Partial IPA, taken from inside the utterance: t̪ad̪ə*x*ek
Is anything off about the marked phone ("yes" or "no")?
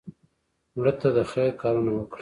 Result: no